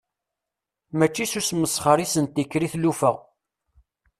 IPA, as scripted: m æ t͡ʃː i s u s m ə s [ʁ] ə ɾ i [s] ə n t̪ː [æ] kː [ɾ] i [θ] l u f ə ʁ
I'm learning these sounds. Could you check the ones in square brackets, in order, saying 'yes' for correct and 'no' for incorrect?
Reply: no, yes, no, yes, yes

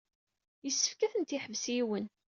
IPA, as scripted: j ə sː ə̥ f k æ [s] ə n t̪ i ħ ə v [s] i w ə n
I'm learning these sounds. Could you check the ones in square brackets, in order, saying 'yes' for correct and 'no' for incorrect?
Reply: no, yes

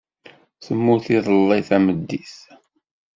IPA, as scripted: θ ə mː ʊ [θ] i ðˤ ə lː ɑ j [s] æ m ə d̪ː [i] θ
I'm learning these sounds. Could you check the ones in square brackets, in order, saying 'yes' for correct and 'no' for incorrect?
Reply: yes, no, yes

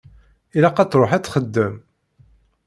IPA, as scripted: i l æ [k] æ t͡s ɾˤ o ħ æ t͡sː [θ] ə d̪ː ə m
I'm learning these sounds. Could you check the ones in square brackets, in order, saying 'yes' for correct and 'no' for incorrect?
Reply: no, no

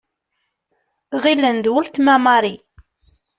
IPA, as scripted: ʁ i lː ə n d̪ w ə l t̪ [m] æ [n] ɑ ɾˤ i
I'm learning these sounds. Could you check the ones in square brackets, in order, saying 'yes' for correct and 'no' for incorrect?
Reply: yes, no

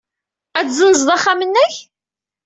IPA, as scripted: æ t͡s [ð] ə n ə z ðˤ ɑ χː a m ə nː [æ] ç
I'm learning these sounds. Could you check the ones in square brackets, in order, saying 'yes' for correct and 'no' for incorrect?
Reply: no, yes

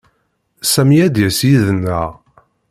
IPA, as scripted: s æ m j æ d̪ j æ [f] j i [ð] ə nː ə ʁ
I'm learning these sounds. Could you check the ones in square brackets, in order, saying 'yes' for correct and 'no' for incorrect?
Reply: no, yes

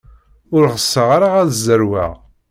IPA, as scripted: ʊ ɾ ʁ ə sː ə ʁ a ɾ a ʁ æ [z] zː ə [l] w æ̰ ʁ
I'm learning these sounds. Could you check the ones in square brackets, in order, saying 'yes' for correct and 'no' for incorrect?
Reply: no, no

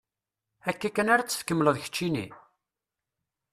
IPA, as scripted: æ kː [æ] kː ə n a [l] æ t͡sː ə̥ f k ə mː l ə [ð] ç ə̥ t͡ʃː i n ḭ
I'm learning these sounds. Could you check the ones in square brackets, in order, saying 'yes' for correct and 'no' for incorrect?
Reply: yes, no, yes

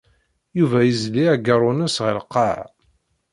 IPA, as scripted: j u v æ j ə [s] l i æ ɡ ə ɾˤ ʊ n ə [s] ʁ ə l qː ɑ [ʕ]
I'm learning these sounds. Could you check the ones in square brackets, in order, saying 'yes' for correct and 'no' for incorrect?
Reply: no, yes, yes

